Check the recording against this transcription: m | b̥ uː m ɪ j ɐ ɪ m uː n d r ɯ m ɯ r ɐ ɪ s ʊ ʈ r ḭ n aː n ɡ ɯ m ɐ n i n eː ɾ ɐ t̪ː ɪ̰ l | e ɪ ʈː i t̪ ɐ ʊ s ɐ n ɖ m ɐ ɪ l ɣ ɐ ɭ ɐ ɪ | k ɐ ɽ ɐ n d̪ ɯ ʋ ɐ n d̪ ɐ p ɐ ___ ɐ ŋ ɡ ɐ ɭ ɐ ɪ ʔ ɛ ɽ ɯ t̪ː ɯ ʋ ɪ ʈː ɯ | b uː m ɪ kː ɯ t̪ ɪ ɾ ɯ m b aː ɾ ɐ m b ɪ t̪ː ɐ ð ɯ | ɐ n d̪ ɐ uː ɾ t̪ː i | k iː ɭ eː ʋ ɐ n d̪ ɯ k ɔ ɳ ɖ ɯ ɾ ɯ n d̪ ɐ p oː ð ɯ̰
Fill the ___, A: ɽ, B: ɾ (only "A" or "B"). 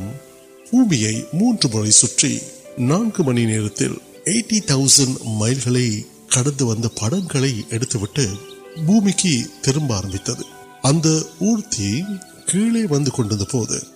A